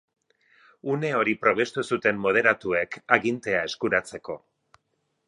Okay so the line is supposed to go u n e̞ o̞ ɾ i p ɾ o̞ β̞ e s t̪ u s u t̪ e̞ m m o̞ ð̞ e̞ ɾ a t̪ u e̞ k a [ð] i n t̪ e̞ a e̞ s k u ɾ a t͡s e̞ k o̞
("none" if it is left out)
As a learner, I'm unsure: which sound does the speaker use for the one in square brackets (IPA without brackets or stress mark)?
ɣ